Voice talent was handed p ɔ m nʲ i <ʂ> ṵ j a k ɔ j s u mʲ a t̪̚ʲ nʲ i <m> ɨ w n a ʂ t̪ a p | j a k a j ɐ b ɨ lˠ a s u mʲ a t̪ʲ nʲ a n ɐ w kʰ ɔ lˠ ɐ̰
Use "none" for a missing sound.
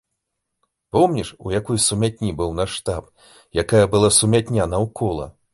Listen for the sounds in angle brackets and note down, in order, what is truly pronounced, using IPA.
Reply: ʂ, b

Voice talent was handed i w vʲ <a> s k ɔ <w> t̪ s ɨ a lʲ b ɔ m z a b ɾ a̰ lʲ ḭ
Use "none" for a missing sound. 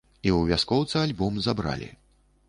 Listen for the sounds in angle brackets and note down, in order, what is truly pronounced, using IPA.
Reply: a, w

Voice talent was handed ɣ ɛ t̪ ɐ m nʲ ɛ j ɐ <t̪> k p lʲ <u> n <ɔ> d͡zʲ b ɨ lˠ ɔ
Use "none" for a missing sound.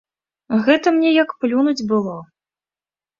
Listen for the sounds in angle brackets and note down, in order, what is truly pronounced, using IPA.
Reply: none, u, u

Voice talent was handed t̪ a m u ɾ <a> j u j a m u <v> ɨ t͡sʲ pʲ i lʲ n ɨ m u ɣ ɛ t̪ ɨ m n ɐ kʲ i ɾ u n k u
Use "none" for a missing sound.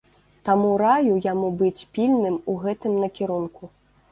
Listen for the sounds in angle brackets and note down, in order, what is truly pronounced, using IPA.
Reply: a, b

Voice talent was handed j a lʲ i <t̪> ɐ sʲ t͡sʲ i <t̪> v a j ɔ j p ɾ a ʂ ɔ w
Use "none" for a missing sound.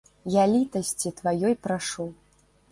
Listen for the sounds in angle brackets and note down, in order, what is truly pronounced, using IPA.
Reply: t̪, t̪

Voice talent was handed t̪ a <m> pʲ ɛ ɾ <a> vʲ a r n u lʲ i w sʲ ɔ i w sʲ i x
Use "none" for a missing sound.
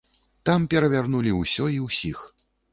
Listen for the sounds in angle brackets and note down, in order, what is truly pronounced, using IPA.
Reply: m, ɐ

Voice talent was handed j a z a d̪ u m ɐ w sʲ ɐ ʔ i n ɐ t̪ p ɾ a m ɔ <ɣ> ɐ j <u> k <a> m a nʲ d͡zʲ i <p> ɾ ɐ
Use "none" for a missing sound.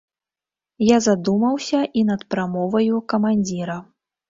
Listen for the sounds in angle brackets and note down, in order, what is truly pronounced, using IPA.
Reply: v, u, ɐ, none

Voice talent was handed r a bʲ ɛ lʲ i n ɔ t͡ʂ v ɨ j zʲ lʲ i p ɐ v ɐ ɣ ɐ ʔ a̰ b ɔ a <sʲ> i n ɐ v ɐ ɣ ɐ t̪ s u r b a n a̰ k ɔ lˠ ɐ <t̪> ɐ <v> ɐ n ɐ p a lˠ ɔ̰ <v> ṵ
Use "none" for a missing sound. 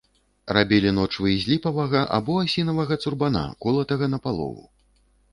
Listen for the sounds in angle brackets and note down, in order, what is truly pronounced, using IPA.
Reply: sʲ, t̪, ɣ, v

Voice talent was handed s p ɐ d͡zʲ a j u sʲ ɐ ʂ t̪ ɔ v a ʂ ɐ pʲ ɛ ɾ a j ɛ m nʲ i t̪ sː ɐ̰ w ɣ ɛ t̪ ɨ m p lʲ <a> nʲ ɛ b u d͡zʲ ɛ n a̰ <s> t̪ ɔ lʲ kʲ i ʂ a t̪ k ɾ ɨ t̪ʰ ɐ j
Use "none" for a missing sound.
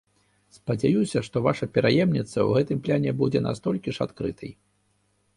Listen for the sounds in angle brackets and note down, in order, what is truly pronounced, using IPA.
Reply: a, s

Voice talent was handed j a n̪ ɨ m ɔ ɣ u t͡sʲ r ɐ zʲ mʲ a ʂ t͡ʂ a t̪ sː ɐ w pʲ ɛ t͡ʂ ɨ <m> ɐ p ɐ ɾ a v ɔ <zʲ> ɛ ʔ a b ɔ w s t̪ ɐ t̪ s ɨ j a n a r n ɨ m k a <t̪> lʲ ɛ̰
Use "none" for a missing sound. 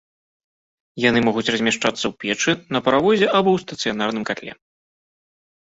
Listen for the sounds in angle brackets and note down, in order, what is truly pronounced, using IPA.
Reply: n, zʲ, t̪

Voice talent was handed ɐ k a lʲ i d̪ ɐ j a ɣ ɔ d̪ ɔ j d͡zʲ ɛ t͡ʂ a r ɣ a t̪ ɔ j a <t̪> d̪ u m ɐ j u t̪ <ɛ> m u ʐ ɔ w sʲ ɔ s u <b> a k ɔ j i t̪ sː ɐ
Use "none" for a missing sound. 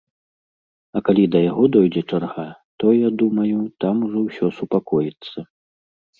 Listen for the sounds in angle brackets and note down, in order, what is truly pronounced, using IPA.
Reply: none, a, p

